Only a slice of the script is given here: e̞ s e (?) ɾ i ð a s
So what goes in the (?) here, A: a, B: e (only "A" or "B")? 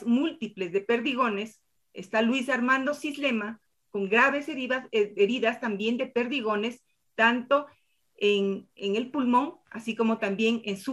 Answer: B